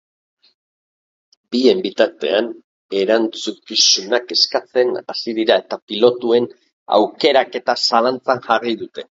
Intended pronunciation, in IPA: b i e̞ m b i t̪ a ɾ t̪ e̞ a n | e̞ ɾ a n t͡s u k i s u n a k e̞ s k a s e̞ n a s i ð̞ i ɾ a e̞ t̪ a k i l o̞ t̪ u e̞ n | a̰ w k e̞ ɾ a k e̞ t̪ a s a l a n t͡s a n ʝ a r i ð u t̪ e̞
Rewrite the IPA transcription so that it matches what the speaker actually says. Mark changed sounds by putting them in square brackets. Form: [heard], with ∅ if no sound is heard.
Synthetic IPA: b i e̞ m b i t̪ a ɾ t̪ e̞ a n | e̞ ɾ a n t͡s u k i s u n a k e̞ s k a [t͡s] e̞ n a s i ð̞ i ɾ a e̞ t̪ a [p] i l o̞ t̪ u e̞ n | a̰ w k e̞ ɾ a k e̞ t̪ a s a l a n t͡s a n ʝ a r i ð u t̪ e̞